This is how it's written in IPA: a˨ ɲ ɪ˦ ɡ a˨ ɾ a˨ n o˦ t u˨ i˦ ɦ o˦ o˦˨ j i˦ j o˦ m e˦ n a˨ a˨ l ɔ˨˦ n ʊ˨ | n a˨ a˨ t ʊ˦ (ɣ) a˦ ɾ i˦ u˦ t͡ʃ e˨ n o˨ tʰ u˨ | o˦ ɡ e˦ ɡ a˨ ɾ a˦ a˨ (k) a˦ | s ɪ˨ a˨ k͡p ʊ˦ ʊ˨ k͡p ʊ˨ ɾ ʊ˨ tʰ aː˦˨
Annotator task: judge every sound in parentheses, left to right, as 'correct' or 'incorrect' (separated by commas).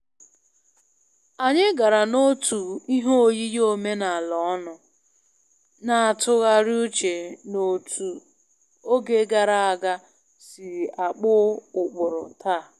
correct, incorrect